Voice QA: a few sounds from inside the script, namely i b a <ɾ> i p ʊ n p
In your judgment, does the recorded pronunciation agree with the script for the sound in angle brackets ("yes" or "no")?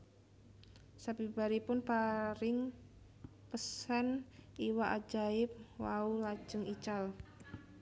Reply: yes